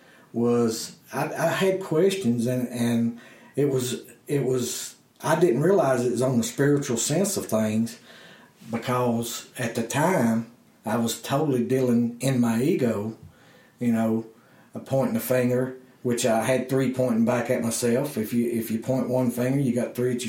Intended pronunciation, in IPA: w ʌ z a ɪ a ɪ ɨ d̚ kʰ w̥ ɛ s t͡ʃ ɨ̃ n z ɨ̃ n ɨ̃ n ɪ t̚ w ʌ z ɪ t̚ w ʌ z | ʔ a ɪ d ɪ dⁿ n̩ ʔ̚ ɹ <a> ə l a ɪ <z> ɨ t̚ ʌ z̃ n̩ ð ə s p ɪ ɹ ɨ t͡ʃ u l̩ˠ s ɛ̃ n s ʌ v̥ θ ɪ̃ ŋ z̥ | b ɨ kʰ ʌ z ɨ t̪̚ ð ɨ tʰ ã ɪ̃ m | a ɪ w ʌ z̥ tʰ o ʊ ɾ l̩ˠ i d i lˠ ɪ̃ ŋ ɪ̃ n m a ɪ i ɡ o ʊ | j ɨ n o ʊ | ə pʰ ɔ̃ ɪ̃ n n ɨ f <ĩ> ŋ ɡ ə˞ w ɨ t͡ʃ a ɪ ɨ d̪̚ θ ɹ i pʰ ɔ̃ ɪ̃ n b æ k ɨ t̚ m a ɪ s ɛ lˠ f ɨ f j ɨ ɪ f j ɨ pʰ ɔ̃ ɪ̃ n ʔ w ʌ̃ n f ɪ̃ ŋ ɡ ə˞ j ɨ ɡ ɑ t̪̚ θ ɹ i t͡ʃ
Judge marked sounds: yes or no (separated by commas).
no, yes, no